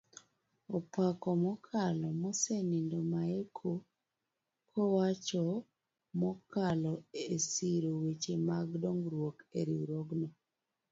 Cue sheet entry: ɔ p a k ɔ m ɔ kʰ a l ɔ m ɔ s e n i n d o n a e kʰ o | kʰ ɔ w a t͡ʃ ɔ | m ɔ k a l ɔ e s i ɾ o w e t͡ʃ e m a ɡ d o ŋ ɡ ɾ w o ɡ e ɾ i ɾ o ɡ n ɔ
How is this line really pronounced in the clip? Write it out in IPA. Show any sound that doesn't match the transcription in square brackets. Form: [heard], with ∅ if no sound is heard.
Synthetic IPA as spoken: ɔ p a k ɔ m ɔ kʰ a l ɔ m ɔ s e n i n d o [m] a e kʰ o | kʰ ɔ w a t͡ʃ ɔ | m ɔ k a l ɔ e s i ɾ o w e t͡ʃ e m a ɡ d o ŋ ɡ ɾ w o [k] e ɾ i ɾ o ɡ n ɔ